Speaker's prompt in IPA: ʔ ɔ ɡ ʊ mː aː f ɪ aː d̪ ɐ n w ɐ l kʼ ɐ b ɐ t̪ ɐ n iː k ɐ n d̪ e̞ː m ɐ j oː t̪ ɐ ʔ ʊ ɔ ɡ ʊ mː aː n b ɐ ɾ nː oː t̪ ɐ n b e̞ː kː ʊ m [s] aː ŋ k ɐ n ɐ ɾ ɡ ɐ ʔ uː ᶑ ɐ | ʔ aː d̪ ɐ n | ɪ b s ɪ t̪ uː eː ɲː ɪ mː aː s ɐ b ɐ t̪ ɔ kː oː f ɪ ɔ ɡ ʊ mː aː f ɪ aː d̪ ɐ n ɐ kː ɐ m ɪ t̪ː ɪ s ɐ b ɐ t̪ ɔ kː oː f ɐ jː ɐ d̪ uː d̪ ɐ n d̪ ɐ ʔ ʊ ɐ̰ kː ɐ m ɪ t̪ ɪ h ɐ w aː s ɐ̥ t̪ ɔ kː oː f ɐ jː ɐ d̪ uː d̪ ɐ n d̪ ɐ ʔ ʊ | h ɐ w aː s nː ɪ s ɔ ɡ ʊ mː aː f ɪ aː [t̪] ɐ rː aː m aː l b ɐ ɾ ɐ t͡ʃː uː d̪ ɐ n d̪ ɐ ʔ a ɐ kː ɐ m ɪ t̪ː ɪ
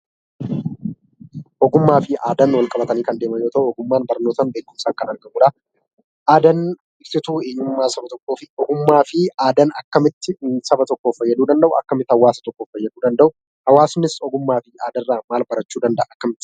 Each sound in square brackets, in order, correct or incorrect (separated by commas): correct, incorrect